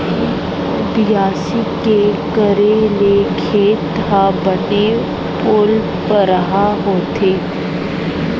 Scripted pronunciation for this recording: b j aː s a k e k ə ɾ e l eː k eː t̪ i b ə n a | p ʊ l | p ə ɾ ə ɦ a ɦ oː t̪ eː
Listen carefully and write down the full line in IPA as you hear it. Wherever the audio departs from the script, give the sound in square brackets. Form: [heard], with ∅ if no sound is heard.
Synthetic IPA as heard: b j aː s [i] k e k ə ɾ e l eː [kʰ] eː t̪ [a] b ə n [e] | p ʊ l | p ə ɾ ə ɦ a ɦ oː t̪ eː